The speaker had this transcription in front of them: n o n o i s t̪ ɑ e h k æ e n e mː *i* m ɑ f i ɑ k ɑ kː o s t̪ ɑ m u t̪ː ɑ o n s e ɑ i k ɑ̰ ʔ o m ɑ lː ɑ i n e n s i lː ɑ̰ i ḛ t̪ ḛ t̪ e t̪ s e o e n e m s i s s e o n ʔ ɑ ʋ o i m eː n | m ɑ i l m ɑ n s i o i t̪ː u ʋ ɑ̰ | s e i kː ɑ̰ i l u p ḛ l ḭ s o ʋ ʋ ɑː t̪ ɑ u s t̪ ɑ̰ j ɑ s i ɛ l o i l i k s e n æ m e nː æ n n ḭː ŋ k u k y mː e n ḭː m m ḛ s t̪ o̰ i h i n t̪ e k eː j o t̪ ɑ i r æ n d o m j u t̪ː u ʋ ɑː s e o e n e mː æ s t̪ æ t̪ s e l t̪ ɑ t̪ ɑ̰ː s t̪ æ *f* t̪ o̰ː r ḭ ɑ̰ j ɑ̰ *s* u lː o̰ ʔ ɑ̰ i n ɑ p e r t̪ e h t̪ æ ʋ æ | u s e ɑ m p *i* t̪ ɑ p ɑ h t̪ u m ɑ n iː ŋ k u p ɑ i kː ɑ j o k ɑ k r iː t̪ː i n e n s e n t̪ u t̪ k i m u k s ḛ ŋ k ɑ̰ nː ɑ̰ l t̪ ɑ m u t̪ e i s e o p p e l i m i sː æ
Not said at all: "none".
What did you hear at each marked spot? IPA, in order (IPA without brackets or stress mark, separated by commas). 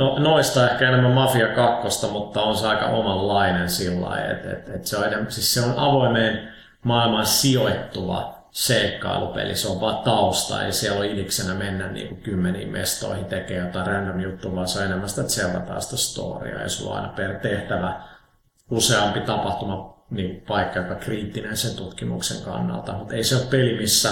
æ, s, s, i